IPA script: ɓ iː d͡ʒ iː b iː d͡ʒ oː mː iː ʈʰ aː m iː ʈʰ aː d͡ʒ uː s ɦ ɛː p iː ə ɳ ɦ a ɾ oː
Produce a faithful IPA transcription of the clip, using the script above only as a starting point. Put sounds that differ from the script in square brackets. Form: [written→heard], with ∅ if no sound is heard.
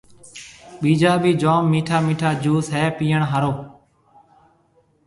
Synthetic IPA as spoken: ɓ iː d͡ʒ [iː→aː] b iː d͡ʒ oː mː iː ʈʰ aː m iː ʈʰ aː d͡ʒ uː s ɦ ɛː p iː ə ɳ ɦ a ɾ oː